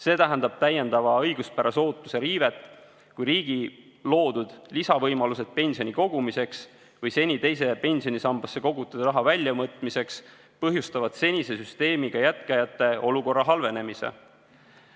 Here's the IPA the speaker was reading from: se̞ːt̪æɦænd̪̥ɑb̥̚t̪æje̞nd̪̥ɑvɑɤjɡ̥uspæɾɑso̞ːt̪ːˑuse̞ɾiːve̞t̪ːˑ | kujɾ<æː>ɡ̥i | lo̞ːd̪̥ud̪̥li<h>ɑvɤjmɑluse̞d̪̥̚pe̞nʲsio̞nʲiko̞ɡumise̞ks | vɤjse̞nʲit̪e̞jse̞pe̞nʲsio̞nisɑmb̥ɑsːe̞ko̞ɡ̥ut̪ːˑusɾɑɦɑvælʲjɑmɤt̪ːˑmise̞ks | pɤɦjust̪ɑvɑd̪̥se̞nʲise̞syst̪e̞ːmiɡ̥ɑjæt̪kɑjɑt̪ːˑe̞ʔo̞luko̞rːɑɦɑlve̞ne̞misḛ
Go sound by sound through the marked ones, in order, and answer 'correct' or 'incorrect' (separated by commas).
incorrect, incorrect